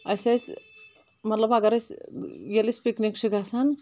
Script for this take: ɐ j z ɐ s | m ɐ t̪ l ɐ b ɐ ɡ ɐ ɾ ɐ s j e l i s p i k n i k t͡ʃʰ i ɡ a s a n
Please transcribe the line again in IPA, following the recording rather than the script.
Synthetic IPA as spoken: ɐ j s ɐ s | m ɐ t̪ l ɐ b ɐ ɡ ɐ ɾ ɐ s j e l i s p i k n i k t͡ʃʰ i ɡ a s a n